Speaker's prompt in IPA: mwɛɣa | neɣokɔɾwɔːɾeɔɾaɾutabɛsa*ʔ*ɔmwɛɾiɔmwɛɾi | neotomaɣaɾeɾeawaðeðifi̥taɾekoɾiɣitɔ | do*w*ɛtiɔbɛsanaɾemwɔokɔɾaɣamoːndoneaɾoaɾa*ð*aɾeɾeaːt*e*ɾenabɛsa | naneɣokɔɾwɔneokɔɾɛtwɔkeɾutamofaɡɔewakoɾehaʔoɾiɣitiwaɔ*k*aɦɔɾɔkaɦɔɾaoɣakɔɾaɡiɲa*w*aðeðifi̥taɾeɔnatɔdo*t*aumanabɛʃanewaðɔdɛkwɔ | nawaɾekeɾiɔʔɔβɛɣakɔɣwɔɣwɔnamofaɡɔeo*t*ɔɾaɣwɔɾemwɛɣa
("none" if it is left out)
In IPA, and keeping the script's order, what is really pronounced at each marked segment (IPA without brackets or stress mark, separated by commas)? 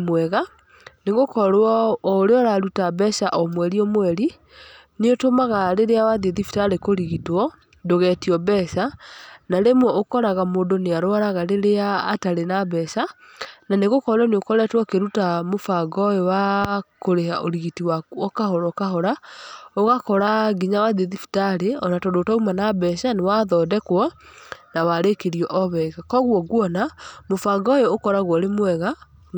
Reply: ʔ, ɣ, ɣ, a, k, w, t, k